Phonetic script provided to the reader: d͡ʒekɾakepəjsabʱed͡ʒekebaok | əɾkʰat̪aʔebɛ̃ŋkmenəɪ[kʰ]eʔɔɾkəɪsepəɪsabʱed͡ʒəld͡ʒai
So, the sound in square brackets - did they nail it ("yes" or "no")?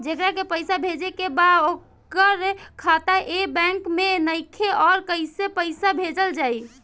yes